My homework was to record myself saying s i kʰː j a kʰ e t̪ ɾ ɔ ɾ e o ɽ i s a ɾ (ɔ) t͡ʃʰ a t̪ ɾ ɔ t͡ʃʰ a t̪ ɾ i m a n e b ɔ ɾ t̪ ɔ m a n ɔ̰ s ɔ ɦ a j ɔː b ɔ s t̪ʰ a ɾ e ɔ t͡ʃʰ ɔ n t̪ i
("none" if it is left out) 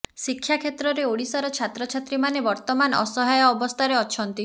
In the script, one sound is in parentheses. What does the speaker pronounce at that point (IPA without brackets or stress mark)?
ɔ